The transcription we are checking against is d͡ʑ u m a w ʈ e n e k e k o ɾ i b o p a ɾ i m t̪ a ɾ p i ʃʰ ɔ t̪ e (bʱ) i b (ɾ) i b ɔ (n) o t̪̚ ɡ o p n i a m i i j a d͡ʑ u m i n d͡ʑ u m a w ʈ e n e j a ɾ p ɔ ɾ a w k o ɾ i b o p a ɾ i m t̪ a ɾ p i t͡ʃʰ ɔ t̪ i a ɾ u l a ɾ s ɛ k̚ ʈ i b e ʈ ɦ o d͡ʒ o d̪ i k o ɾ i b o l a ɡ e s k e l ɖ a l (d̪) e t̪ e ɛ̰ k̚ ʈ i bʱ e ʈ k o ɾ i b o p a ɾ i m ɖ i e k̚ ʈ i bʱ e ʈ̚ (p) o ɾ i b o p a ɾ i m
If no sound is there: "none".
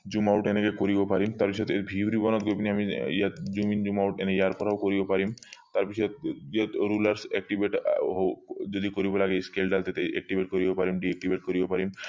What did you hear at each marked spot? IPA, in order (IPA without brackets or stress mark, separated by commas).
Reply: bʱ, ɾ, n, t̪, k